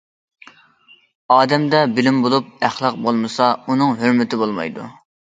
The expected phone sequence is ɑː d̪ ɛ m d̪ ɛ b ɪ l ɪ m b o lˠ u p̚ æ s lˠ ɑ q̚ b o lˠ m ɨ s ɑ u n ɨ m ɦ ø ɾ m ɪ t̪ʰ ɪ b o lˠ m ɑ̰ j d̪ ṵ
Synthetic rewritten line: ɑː d̪ ɛ m d̪ ɛ b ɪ l ɪ m b o lˠ u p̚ æ χ lˠ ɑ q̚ b o lˠ m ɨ s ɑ u n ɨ ŋ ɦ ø ɾ m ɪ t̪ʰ ɪ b o lˠ m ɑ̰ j d̪ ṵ